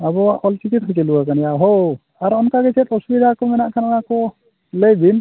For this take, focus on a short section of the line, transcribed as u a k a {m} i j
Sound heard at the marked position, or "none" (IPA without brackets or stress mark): n